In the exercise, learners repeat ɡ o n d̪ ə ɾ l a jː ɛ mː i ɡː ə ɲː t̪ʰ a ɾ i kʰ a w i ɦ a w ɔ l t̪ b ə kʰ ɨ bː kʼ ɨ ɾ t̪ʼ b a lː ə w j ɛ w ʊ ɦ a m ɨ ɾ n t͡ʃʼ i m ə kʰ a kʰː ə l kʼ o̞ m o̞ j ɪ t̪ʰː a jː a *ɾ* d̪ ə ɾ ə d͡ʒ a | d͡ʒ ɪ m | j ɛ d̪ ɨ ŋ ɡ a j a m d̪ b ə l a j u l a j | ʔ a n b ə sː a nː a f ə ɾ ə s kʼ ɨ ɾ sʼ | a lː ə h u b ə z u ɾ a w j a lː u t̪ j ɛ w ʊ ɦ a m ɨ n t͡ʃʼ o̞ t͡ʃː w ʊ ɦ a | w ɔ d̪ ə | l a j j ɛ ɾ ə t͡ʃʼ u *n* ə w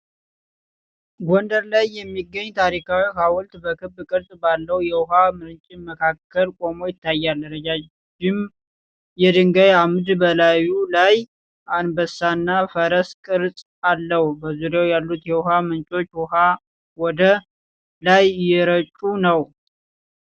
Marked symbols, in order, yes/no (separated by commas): no, yes